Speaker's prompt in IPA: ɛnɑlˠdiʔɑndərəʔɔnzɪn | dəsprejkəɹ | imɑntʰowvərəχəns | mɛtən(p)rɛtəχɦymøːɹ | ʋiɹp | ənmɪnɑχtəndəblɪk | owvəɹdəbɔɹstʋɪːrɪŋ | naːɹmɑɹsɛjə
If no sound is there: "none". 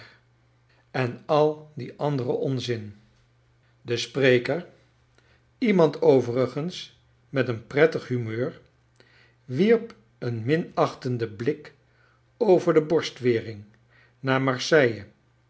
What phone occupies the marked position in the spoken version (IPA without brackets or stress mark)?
p